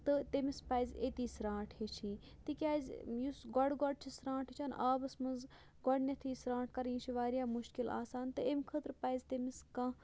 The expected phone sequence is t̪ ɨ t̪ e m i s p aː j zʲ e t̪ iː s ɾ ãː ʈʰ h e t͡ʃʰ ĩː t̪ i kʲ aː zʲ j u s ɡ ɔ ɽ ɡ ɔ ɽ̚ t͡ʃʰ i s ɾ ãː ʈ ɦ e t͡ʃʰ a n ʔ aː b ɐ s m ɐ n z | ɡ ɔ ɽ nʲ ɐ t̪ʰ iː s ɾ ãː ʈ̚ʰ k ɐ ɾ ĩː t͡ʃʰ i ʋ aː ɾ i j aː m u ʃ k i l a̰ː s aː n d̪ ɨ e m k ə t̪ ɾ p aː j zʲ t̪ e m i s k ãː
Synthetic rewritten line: t̪ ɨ t̪ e m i s p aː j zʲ e t̪ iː s ɾ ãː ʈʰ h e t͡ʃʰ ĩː t̪ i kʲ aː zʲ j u s ɡ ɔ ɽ ɡ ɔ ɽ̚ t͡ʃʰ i s ɾ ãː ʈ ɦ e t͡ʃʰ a n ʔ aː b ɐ s m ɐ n z | ɡ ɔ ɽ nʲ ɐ t̪ʰ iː s ɾ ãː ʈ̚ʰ k ɐ ɾ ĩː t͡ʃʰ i ʋ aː ɾ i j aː m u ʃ k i l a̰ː s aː n t̪ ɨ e m kʰ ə t̪ ɾ p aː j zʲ t̪ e m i s k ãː